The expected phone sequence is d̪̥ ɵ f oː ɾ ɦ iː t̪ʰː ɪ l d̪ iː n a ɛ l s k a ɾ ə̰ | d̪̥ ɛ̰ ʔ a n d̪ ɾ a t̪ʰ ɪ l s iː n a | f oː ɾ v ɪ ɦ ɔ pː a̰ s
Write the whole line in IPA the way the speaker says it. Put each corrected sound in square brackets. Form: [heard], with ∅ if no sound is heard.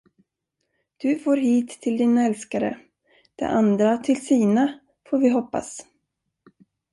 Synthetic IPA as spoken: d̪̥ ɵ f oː ɾ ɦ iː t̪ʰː ɪ l d̪ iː n a ɛ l s k a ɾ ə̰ | d̪̥ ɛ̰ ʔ a n d̪ ɾ a t̪ʰ ɪ l s iː n a | f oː ɾ v ɪ ɦ ɔ pː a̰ s